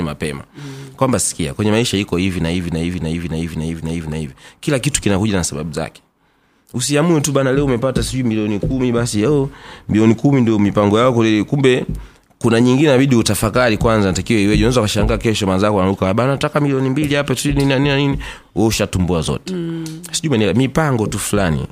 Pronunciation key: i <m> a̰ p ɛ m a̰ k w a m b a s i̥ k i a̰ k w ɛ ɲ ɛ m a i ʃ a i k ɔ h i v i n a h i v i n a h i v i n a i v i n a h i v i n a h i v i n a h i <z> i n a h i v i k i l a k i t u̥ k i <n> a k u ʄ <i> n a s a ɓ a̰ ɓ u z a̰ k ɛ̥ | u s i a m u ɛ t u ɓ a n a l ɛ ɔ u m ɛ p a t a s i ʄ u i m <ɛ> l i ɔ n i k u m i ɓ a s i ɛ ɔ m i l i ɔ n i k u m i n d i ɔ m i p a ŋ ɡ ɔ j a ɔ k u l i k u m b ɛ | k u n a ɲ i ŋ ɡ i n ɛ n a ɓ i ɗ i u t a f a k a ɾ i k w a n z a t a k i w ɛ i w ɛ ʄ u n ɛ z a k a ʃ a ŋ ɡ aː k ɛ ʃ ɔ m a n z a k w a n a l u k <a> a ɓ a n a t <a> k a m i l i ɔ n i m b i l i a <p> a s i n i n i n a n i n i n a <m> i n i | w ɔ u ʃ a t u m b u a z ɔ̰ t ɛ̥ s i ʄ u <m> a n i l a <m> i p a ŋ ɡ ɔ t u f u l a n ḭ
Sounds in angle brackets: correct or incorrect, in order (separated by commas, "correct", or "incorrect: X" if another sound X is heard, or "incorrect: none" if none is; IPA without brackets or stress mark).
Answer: correct, incorrect: v, correct, incorrect: a, incorrect: i, correct, correct, correct, incorrect: n, correct, correct